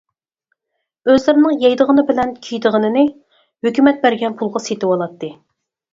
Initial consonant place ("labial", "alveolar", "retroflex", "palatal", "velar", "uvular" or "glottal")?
alveolar